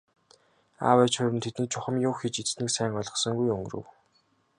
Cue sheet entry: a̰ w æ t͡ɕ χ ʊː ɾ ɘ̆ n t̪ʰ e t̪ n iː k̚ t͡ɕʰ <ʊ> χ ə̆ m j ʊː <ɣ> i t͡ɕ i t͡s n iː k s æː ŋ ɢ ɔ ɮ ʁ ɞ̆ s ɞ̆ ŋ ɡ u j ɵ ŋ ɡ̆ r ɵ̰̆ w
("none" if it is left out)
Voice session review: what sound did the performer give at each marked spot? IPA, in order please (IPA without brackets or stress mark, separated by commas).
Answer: ʊ, x